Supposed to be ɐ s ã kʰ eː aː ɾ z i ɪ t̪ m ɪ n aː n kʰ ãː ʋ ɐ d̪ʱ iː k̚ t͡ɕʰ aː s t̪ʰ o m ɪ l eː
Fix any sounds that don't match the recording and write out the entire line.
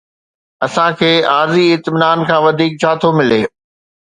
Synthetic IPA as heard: ɐ s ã kʰ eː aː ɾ z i ɪ t̪ m ɪ n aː n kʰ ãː ʋ ɐ d̪ʱ iː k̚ t͡ɕʰ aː t̪ʰ o m ɪ l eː